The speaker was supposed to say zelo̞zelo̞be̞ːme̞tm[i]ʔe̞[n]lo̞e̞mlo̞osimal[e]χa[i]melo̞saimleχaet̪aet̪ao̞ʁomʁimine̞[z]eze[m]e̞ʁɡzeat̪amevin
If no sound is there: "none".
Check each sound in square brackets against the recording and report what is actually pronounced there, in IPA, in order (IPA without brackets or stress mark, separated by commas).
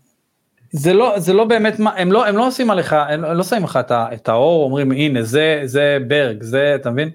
a, m, e, e, z, b